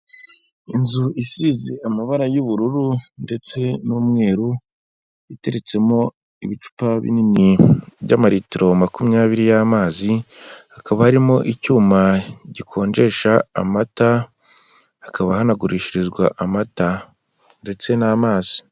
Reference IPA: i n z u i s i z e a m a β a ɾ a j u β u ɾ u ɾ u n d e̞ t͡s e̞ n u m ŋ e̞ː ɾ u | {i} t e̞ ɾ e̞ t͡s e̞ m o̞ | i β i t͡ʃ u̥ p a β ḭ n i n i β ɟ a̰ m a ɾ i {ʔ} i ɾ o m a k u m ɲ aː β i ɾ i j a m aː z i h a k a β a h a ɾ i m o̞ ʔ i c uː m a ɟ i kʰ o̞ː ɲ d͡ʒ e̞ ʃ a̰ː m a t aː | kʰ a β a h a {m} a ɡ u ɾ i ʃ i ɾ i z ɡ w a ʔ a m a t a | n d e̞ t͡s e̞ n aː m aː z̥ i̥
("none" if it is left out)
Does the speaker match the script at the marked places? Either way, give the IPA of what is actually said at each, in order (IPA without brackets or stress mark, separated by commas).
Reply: i, t, n